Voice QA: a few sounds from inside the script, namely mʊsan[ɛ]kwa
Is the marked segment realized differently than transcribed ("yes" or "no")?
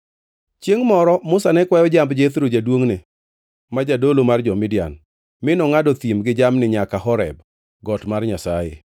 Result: no